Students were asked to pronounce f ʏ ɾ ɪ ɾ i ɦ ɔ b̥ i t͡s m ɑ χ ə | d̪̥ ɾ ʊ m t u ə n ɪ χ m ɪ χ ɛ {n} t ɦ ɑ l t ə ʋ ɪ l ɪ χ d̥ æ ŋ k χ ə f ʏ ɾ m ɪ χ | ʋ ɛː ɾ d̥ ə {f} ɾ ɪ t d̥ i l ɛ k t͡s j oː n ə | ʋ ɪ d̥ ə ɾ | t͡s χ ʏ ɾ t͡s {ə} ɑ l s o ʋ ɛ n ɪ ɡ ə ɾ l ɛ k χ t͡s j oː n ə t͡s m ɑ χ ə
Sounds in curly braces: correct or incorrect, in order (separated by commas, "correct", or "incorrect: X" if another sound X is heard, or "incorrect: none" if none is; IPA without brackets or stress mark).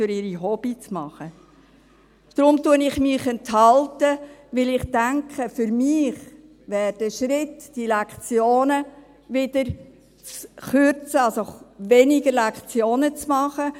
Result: correct, incorrect: ʃ, correct